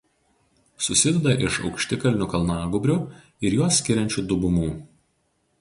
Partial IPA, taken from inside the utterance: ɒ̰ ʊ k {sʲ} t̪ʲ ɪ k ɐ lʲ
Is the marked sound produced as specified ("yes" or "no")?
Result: no